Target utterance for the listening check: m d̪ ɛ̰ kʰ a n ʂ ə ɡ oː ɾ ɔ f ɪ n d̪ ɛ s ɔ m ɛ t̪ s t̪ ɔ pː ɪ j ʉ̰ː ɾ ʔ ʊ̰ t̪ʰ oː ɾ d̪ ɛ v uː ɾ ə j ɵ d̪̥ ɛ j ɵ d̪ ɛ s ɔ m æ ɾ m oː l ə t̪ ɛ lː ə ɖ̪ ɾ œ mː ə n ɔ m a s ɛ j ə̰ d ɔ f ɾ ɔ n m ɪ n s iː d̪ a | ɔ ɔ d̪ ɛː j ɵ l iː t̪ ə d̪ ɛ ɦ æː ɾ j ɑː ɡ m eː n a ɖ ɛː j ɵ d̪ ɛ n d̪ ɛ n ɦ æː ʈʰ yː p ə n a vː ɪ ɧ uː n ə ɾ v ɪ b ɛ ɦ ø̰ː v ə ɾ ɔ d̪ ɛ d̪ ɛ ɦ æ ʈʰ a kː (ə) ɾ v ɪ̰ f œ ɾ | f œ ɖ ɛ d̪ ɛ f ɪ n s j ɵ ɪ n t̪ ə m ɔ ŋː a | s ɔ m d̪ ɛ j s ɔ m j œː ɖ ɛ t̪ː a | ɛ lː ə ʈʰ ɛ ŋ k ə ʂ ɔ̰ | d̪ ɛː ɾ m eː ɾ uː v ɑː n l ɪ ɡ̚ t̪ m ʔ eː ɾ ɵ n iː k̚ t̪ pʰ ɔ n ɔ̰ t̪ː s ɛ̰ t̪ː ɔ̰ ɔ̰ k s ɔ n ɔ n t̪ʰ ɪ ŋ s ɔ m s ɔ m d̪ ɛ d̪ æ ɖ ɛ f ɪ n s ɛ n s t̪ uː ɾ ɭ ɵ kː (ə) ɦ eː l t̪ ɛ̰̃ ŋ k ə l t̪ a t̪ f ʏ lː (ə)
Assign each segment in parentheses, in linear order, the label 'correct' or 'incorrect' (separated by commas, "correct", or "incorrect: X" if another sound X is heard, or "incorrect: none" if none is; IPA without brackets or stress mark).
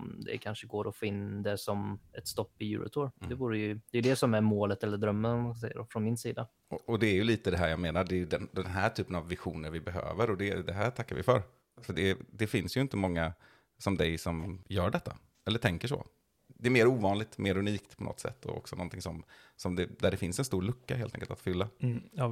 incorrect: a, incorrect: a, incorrect: a